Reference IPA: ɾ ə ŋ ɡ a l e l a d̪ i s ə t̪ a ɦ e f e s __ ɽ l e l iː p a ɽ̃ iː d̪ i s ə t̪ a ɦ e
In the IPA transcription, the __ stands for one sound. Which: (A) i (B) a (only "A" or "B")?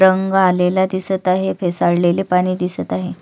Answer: B